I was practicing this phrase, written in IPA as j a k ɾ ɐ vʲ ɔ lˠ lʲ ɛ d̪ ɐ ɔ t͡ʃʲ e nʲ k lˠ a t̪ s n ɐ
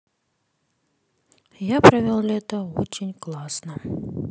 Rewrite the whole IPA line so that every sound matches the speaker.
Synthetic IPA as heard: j a p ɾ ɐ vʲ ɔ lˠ lʲ ɛ t̪ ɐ ɔ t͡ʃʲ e nʲ k lˠ a s n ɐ